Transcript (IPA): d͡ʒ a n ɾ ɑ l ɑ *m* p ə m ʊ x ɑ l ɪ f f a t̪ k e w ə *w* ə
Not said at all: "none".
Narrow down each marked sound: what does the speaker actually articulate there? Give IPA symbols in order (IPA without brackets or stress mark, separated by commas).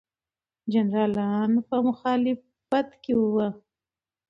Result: n, w